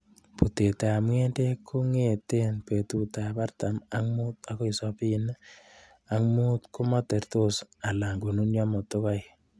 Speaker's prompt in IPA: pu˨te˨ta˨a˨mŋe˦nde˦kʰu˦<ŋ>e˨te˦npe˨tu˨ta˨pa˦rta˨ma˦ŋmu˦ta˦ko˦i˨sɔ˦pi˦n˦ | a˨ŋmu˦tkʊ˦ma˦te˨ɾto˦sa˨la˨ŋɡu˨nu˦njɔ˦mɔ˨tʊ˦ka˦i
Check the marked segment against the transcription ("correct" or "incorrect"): correct